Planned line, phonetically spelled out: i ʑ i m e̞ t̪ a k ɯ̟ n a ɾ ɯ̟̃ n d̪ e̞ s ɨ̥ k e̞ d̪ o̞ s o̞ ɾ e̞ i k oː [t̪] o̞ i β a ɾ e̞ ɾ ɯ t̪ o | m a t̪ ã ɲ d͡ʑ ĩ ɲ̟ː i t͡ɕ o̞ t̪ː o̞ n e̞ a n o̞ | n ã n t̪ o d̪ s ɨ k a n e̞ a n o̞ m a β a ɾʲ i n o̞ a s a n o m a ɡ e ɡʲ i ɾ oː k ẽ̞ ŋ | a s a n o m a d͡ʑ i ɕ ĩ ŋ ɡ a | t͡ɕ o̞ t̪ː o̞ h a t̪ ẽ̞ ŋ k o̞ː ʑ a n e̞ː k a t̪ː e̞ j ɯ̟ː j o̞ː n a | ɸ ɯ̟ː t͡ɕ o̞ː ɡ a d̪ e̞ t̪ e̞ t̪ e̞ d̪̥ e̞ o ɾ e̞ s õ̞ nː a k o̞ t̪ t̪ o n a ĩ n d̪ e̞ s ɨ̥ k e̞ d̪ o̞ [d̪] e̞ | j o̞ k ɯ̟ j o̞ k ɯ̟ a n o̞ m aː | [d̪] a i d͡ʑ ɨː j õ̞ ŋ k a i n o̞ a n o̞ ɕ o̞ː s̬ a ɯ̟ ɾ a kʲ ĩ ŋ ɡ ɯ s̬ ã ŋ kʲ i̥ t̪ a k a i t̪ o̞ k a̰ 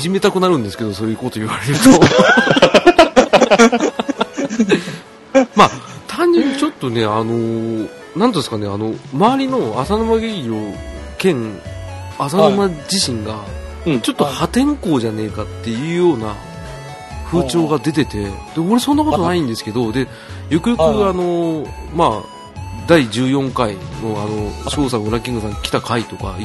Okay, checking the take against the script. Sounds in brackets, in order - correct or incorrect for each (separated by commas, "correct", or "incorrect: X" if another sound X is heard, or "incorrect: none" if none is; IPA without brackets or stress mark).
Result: correct, correct, correct